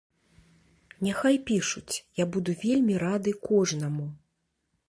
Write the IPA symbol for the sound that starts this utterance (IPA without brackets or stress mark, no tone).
nʲ